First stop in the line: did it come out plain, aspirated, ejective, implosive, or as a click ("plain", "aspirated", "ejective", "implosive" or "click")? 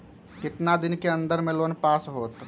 plain